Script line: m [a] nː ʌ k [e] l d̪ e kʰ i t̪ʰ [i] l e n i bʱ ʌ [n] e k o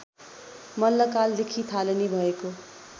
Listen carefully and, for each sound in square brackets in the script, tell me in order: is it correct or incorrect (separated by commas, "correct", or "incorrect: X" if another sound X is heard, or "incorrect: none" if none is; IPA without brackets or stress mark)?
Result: incorrect: ʌ, incorrect: a, incorrect: a, incorrect: none